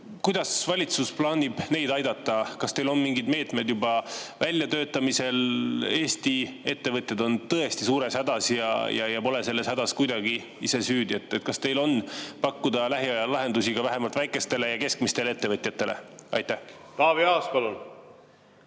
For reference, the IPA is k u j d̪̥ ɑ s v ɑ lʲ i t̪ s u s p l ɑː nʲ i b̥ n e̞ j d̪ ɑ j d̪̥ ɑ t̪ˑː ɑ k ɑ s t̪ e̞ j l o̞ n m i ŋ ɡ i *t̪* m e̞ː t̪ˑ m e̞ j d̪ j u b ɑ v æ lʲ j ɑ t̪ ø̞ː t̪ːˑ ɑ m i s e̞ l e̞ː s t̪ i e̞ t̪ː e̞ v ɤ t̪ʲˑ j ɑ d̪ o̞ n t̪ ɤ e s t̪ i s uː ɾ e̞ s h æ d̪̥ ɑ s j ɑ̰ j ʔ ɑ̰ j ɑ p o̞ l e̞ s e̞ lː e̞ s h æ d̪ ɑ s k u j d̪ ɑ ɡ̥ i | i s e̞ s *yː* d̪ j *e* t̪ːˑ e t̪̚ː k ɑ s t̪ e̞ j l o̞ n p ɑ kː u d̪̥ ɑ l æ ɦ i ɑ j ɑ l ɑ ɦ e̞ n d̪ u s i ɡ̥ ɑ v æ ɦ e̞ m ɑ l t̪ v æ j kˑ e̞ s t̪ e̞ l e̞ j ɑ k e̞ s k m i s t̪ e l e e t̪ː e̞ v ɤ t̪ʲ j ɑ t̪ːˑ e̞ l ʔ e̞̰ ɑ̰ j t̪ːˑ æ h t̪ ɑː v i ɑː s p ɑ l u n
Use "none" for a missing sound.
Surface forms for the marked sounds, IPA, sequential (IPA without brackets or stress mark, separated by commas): d̪, yː, e